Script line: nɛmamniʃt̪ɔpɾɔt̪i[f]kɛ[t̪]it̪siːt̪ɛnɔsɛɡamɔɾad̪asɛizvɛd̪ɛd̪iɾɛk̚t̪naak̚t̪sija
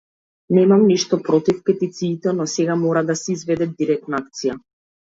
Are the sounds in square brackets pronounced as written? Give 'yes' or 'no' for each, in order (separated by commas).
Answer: yes, yes